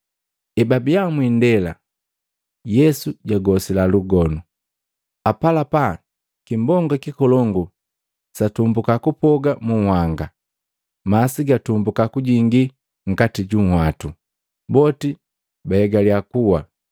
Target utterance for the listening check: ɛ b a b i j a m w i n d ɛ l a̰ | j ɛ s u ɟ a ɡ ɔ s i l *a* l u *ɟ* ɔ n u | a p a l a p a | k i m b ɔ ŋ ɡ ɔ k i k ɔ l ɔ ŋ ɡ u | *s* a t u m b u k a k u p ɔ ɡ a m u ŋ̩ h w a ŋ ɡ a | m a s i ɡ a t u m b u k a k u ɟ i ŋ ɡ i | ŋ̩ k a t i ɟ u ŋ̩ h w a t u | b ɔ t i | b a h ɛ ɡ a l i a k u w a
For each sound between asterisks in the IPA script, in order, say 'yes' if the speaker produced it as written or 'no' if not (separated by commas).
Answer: yes, no, yes